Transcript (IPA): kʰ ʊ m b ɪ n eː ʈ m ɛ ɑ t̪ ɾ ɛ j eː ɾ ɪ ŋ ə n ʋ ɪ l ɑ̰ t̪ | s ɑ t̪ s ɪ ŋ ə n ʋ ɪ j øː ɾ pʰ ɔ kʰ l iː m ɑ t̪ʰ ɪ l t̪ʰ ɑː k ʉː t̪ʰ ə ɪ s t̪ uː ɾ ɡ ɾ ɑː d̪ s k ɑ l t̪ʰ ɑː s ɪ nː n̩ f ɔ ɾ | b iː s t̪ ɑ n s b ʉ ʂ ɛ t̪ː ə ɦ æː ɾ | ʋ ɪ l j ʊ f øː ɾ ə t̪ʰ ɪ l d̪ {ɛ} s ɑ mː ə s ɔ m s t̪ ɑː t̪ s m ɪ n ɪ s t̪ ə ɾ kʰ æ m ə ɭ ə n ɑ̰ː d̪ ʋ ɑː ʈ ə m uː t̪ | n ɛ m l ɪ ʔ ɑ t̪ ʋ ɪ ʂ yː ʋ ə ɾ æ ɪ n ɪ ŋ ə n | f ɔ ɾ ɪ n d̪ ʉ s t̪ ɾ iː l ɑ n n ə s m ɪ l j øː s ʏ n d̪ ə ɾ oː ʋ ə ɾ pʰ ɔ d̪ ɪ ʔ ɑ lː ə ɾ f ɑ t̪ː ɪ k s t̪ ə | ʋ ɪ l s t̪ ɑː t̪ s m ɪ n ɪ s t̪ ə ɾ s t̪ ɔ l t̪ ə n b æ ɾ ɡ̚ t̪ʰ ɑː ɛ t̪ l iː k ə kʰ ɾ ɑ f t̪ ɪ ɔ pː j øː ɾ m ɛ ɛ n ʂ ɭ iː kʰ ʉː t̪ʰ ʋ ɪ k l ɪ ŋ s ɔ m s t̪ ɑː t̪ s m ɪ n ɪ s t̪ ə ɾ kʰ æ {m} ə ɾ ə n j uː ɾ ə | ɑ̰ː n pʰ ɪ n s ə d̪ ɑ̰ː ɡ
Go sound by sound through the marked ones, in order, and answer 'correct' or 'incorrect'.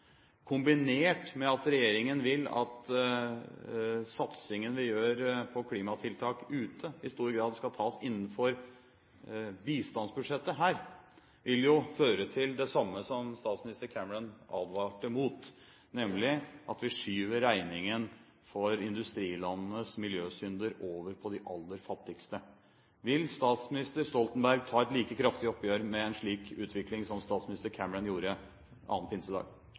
correct, correct

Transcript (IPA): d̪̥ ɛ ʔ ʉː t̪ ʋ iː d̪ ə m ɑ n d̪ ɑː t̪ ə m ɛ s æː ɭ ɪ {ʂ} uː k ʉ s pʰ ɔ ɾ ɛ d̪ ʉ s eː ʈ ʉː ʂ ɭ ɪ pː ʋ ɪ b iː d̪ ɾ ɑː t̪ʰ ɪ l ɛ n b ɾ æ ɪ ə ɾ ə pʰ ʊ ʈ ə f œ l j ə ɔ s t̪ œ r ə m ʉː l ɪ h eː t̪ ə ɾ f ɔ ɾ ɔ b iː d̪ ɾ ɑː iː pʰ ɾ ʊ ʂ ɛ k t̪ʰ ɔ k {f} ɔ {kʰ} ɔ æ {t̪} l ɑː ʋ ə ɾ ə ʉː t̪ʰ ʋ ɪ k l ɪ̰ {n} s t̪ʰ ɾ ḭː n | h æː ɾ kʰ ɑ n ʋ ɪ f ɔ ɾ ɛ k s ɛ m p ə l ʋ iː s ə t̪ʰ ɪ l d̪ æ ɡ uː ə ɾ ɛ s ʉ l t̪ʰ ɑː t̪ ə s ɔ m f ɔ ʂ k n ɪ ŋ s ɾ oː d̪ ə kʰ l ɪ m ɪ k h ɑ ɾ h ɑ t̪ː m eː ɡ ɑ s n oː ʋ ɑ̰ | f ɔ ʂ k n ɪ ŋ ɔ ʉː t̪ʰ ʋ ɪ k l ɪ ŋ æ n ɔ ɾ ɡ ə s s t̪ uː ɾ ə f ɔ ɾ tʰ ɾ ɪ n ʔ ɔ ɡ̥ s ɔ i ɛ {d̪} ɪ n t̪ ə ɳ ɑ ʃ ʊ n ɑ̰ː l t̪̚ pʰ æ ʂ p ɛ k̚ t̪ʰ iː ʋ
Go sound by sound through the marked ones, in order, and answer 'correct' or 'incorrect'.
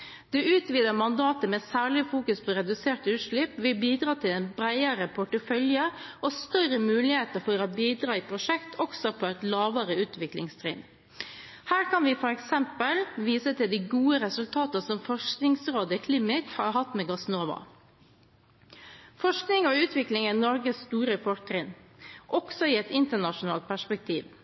incorrect, incorrect, incorrect, correct, incorrect, incorrect

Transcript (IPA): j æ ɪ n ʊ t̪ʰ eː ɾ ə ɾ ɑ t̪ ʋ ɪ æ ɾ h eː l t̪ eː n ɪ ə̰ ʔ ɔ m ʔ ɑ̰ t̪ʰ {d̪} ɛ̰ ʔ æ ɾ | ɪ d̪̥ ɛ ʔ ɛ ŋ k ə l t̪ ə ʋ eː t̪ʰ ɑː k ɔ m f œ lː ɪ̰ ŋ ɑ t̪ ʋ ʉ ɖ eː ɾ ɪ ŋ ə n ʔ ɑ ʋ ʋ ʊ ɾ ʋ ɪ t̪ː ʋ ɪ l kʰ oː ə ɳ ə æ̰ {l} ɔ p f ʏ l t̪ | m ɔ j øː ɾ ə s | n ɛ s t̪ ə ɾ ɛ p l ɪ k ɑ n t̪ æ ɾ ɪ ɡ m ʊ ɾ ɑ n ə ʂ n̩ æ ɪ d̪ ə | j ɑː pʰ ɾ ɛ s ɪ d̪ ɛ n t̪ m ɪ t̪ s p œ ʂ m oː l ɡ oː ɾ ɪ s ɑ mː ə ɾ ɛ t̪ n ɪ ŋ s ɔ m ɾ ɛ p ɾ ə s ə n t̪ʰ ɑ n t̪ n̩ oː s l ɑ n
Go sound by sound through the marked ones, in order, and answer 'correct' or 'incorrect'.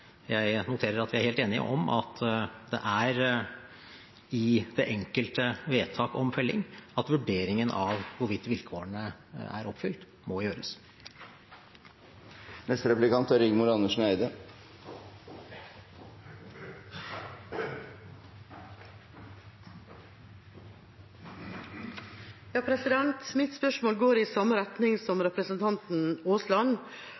correct, incorrect

